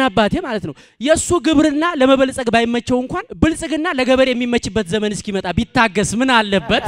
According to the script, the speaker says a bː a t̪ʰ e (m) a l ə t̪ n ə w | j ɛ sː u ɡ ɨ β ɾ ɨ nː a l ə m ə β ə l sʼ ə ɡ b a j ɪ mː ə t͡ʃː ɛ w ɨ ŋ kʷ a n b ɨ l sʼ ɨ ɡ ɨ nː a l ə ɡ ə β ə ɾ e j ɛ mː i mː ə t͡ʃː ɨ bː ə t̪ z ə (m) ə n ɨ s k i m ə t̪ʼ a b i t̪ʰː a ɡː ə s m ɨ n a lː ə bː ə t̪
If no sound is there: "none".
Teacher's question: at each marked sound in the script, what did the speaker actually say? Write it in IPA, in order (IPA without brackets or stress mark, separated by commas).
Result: m, m